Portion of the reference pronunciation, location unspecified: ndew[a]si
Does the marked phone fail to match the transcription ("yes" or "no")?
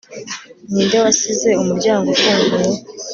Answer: no